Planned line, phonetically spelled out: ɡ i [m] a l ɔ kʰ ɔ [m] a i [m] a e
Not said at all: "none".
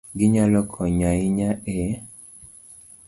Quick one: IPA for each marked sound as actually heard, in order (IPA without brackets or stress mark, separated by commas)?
ɲ, ɲ, ɲ